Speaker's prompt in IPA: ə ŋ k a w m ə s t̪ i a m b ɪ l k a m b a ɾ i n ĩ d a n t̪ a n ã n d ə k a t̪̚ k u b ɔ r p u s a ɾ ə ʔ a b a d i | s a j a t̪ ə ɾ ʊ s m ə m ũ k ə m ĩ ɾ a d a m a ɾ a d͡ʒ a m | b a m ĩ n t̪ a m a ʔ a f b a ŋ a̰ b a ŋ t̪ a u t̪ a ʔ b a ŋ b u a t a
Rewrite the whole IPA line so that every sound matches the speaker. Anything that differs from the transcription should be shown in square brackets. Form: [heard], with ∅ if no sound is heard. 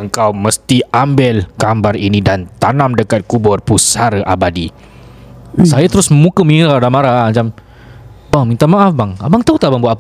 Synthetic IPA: ə ŋ k a w m ə s t̪ i a m b ɪ l k a m b a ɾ i n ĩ d a n t̪ a n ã [m] d ə k a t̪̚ k u b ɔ r p u s a ɾ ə ʔ a b a d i | s a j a t̪ ə ɾ ʊ s m ə m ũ k ə m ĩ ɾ a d a m a ɾ a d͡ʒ a m | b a m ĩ n t̪ a m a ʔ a f b a ŋ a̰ b a ŋ t̪ a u t̪ a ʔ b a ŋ b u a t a